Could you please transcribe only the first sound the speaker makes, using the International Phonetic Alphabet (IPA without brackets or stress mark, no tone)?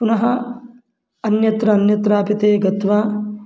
p